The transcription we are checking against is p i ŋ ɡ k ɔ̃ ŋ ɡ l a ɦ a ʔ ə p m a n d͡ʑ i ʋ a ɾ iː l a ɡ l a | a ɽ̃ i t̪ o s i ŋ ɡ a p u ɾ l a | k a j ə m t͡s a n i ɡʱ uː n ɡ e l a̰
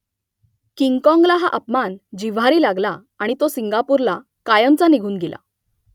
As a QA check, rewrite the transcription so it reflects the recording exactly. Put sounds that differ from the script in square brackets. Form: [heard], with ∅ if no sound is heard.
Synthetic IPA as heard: [k] i ŋ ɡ k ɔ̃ ŋ ɡ l a ɦ a ʔ ə p m a n d͡ʑ i ʋ a ɾ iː l a ɡ l a | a ɽ̃ i t̪ o s i ŋ ɡ a p u ɾ l a | k a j ə m t͡s a n i ɡʱ uː n ɡ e l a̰